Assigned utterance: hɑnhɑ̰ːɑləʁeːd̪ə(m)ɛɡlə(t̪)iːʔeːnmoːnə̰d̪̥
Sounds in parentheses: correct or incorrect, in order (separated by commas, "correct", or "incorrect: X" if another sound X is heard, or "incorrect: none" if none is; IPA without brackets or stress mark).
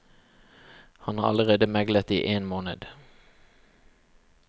correct, correct